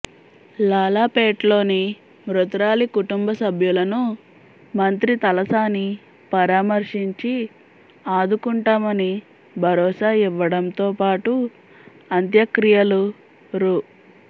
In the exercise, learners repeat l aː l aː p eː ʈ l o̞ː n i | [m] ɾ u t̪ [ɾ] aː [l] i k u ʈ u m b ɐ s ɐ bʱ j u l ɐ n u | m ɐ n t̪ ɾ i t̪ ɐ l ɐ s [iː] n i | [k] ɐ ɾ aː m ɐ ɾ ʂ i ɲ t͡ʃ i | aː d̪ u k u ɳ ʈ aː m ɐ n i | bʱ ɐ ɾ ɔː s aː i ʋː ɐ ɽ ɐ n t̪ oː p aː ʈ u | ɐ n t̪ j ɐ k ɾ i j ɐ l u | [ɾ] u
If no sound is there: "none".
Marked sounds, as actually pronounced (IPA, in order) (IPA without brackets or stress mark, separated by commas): m, ɾ, l, aː, p, ɾ